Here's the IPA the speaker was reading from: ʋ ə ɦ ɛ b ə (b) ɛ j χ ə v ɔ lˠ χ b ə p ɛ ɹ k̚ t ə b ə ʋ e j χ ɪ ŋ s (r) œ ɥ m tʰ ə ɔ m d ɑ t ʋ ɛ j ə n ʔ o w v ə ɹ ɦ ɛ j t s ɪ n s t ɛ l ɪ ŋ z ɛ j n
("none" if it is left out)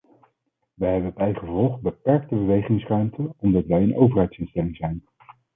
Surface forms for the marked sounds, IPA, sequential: b, r

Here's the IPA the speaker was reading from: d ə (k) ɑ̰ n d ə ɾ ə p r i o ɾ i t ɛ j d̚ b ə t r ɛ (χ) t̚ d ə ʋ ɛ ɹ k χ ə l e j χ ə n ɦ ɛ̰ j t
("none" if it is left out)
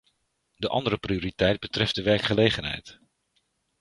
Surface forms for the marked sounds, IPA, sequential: ʔ, f

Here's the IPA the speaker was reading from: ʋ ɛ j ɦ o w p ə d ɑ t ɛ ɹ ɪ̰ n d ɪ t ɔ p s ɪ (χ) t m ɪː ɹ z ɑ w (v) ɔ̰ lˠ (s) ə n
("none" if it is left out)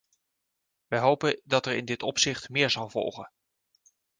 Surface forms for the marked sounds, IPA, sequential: χ, v, χ

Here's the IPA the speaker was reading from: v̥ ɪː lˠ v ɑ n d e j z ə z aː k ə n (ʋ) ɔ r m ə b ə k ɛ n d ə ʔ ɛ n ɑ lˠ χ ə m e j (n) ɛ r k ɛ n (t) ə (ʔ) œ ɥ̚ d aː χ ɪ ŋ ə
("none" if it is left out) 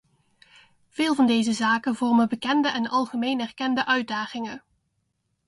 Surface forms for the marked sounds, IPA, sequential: v, n, d, ʔ

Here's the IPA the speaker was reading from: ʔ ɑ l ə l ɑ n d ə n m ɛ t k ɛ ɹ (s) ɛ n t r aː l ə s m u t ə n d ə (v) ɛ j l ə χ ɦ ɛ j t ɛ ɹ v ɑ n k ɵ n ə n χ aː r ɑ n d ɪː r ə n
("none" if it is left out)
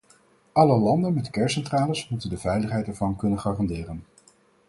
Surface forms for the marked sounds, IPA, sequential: s, v

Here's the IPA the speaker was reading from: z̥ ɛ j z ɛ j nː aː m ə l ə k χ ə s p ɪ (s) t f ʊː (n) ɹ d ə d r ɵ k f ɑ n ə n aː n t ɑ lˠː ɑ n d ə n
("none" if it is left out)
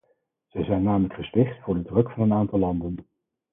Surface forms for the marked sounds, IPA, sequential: χ, none

